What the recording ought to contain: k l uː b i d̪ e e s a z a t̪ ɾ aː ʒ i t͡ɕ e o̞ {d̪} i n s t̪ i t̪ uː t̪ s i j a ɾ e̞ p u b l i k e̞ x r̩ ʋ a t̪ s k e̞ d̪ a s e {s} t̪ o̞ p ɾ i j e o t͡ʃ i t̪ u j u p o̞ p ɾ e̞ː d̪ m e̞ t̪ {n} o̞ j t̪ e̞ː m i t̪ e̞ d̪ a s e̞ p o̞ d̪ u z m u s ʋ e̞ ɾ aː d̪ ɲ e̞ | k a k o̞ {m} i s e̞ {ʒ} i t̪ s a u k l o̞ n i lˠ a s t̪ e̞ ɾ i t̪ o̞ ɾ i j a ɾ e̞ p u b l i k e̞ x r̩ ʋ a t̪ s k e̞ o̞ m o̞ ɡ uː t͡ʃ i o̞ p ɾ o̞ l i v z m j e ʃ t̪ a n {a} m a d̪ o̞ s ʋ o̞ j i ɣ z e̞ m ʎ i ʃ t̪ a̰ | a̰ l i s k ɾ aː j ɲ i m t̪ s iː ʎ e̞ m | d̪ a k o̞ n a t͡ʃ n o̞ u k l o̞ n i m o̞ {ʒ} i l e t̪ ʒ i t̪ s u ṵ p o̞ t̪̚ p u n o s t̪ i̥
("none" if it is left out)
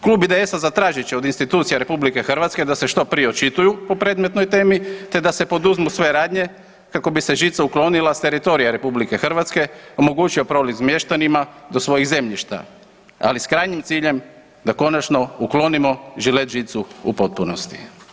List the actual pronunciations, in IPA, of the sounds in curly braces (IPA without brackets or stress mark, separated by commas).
d̪, ʃ, n, b, ʒ, i, ʒ